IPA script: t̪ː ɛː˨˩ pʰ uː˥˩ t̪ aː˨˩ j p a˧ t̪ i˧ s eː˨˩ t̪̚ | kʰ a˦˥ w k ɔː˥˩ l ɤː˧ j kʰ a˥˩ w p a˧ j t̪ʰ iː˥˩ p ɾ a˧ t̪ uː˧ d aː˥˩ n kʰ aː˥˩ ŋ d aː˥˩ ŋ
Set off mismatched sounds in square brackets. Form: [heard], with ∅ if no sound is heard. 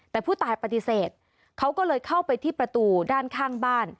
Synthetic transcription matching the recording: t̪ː ɛː˨˩ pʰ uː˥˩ t̪ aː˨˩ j p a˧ t̪ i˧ s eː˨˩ t̪̚ | kʰ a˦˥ w k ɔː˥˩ l ɤː˧ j kʰ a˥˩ w p a˧ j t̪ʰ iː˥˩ p ɾ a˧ t̪ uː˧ d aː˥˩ n kʰ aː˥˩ ŋ [b] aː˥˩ [n]